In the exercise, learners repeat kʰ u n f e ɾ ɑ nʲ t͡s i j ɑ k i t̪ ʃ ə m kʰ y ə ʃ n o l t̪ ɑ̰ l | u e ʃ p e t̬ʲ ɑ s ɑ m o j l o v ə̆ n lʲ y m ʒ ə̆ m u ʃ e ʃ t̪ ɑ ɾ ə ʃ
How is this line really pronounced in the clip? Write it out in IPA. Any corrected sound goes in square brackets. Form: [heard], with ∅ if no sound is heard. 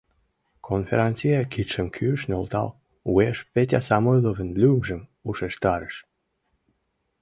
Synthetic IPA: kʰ [o] n f e ɾ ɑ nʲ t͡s i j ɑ k i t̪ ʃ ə m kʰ y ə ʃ n o l t̪ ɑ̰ l | u e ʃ p e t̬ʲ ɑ s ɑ m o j l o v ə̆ n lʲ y m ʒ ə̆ m u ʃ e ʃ t̪ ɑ ɾ ə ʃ